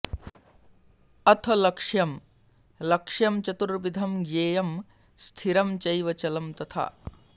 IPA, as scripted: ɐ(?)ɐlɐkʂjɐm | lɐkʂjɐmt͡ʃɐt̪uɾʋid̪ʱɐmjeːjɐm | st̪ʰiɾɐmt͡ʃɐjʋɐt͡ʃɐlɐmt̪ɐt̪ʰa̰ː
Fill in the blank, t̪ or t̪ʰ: t̪ʰ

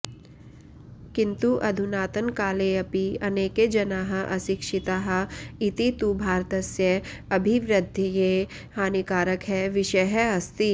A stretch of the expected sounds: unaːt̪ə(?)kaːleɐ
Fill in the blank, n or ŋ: n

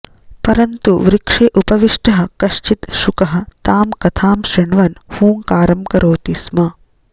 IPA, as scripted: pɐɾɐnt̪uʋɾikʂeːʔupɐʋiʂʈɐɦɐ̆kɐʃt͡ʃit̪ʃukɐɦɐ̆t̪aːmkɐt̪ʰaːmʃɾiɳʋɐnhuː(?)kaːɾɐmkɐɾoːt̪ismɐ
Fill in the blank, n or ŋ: ŋ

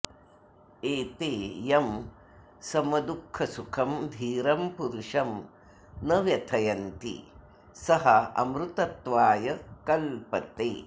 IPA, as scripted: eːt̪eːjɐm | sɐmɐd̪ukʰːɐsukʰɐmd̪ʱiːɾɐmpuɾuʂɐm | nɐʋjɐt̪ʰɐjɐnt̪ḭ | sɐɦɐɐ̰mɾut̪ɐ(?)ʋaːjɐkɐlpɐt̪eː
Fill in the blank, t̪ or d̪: t̪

